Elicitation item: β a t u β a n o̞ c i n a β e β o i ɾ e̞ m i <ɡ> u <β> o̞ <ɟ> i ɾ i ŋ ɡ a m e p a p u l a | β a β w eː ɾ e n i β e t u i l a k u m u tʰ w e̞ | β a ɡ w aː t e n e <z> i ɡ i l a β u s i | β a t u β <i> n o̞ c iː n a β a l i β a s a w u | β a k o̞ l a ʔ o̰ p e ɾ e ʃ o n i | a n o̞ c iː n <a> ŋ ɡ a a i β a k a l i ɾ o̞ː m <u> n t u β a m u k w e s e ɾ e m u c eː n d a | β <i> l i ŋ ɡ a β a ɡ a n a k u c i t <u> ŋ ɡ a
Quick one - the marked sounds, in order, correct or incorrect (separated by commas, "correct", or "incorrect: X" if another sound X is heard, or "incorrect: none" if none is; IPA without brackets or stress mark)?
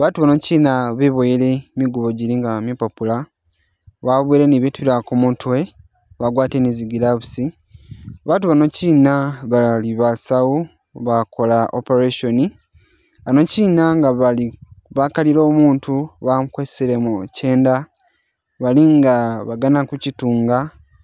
correct, correct, correct, correct, incorrect: a, correct, incorrect: uː, incorrect: a, incorrect: uː